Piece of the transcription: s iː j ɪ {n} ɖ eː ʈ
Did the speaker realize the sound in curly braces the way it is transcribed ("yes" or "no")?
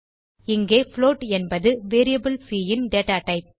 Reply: yes